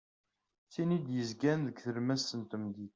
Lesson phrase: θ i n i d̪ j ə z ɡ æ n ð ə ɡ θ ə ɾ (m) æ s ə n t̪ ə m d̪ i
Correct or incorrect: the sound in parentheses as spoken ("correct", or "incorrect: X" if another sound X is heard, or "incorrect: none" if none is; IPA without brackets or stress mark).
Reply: correct